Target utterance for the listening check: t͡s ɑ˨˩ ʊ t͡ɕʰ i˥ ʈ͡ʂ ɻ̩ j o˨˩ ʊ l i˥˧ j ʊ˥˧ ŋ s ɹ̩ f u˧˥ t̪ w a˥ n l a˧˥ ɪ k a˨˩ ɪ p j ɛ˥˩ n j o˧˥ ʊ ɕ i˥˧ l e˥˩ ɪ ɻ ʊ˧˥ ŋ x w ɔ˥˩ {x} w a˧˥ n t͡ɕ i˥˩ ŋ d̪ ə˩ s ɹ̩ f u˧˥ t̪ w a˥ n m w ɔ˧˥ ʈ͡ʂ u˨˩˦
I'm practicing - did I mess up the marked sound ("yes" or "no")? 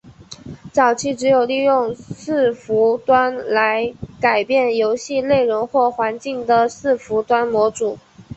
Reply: no